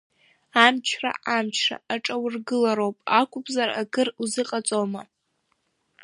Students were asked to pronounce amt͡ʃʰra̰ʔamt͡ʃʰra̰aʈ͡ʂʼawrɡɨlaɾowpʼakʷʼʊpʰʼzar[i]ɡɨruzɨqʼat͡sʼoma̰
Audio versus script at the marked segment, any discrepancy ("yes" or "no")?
yes